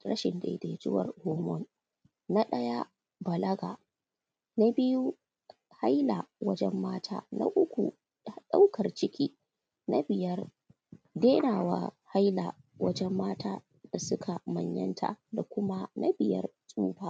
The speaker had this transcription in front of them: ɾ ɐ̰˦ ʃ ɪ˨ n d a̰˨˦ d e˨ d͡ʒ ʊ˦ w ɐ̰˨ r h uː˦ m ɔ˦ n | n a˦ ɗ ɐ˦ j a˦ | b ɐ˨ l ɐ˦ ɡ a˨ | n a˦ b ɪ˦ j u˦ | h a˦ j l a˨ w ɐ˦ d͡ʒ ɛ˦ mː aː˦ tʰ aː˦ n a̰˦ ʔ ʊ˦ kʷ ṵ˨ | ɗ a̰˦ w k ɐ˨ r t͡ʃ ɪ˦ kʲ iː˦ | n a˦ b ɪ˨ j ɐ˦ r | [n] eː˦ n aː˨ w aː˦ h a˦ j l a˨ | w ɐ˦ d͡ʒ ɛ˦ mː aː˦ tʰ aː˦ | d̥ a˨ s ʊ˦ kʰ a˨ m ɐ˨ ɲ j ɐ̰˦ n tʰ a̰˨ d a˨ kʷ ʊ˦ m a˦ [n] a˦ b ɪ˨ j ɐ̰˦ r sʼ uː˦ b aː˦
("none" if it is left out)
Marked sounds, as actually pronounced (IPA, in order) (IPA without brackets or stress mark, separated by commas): d, n